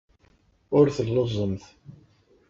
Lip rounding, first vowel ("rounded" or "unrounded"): rounded